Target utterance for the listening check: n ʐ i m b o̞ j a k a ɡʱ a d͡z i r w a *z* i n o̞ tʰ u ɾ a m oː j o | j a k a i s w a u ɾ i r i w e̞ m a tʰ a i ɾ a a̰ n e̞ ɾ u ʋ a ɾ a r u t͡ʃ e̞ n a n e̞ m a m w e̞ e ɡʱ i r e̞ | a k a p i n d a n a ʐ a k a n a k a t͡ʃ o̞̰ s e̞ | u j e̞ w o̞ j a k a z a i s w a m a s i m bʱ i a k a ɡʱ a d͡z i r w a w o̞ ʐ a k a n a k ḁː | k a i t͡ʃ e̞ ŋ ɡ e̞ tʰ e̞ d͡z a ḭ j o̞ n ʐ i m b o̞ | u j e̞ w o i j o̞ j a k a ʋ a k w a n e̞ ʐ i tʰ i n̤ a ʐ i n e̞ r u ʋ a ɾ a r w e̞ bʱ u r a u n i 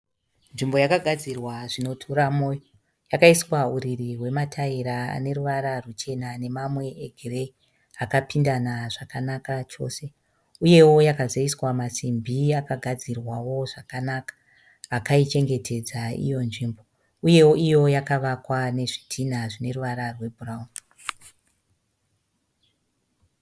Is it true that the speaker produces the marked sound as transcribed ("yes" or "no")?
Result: no